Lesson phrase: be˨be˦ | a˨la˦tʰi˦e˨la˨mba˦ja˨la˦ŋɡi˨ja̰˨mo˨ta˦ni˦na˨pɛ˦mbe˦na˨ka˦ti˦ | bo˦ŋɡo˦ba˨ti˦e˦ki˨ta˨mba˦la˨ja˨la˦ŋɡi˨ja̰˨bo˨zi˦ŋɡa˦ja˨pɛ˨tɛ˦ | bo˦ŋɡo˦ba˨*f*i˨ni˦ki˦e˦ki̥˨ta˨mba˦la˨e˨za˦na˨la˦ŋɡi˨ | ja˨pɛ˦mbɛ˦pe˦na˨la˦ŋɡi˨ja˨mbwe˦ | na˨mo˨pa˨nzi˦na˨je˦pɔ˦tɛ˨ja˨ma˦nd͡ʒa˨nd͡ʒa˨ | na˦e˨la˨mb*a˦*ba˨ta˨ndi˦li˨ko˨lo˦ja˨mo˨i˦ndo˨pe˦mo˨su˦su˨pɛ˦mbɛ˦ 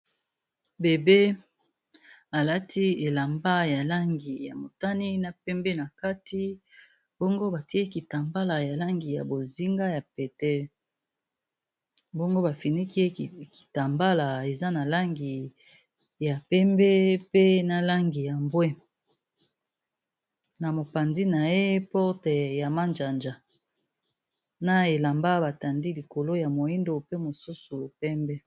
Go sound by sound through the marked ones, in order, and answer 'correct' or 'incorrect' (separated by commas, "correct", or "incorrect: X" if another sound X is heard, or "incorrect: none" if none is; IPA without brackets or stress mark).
correct, correct